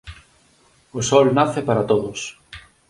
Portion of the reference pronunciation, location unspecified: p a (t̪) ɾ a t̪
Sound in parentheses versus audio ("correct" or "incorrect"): incorrect